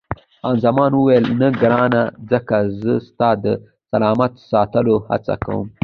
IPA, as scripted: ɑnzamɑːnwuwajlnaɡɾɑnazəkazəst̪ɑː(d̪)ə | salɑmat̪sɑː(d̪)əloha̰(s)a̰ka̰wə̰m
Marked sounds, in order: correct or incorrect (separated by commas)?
correct, incorrect, incorrect